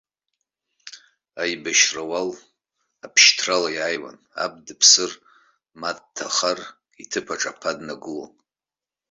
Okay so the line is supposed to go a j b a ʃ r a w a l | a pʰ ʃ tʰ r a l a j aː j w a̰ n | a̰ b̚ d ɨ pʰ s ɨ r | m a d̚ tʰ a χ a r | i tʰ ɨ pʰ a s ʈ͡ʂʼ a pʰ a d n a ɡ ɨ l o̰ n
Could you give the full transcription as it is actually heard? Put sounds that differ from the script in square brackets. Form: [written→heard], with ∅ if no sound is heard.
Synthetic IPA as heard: a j b a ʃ r a w a l | a pʰ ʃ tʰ r a l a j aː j w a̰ n | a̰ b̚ d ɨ pʰ s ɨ r | m a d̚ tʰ a χ a r | i tʰ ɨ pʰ a [s→∅] ʈ͡ʂʼ a pʰ a d n a ɡ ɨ l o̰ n